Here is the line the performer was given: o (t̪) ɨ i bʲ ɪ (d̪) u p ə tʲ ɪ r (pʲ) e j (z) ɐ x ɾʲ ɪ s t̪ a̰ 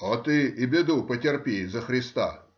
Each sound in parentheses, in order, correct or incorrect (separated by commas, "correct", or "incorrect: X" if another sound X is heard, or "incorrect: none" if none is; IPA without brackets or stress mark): correct, correct, correct, correct